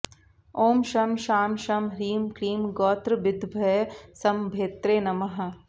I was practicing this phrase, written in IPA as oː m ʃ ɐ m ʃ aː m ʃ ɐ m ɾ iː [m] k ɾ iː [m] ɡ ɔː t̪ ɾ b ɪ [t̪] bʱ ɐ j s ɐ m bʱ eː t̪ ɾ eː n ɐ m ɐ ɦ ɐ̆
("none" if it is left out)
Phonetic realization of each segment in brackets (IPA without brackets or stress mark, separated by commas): m, m, d̪